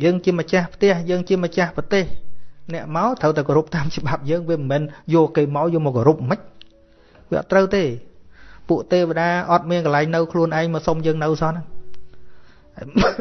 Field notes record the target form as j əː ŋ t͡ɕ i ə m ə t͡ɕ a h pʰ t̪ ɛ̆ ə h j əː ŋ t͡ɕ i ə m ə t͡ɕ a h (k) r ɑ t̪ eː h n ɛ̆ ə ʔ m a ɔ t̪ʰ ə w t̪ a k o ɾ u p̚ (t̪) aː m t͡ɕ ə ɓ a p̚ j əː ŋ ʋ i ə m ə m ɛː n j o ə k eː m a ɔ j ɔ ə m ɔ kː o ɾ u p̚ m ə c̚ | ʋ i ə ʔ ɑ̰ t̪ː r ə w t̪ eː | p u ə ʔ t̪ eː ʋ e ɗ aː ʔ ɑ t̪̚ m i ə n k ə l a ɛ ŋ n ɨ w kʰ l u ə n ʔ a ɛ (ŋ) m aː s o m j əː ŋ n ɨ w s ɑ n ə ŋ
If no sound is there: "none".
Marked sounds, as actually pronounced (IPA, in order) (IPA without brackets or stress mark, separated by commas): p, t̪, ŋ